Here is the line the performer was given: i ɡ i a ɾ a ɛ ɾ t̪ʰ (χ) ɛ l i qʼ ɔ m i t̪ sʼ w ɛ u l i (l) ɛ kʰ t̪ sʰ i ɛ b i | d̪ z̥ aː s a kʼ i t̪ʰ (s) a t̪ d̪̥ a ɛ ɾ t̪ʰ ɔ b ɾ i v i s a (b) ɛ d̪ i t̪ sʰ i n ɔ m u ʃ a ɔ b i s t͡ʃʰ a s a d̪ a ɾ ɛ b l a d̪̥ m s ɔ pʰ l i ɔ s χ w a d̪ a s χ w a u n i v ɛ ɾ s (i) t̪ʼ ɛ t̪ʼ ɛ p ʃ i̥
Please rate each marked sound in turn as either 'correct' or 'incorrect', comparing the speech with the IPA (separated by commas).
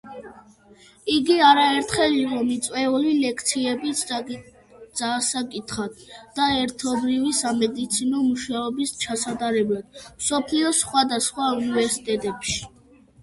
correct, correct, incorrect, incorrect, correct